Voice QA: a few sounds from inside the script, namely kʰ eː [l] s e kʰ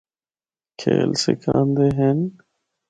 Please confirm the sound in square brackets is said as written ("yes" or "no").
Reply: yes